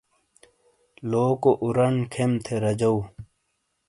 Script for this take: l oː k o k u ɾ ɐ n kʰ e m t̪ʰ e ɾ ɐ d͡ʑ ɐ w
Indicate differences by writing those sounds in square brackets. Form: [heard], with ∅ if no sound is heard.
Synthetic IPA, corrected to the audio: l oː k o [ʔ] u ɾ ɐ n kʰ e m t̪ʰ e ɾ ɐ d͡ʑ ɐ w